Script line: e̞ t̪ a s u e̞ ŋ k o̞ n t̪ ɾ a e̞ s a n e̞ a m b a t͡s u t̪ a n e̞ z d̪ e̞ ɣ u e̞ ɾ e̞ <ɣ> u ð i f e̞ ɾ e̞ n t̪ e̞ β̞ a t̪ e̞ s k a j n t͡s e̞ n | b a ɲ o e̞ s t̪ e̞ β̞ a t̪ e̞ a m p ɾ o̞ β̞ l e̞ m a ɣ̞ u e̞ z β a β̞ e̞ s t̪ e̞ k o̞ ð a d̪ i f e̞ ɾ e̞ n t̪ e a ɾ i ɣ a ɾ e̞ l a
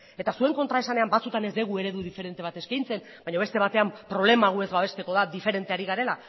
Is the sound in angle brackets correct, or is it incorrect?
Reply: incorrect